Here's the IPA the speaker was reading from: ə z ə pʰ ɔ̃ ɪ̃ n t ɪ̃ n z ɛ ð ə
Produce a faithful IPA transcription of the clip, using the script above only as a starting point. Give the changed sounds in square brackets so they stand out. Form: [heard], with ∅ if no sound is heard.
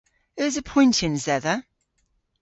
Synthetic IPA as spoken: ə z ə pʰ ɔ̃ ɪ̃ n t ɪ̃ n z ɛ ð ə